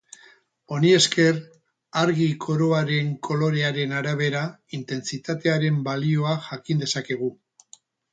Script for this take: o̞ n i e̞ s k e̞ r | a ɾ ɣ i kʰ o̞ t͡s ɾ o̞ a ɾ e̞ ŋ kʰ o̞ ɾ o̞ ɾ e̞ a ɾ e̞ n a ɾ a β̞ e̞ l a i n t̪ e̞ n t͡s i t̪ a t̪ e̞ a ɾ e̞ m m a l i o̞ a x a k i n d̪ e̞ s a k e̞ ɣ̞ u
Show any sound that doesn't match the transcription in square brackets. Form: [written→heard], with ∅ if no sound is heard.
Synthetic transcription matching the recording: o̞ n i e̞ s k e̞ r | a ɾ ɣ i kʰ o̞ [t͡s→∅] ɾ o̞ a ɾ e̞ ŋ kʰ o̞ [ɾ→l] o̞ ɾ e̞ a ɾ e̞ n a ɾ a β̞ e̞ [l→ɾ] a i n t̪ e̞ n t͡s i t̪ a t̪ e̞ a ɾ e̞ m [m→b] a l i o̞ a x a k i n d̪ e̞ s a k e̞ ɣ̞ u